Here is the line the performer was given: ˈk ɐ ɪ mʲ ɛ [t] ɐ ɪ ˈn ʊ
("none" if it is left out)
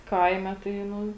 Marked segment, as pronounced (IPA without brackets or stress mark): t